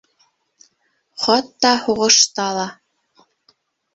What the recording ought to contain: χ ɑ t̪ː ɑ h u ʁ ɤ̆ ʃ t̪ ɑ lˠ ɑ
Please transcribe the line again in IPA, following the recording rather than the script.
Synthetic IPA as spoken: χ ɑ t̪ː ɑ h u ʁ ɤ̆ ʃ t̪ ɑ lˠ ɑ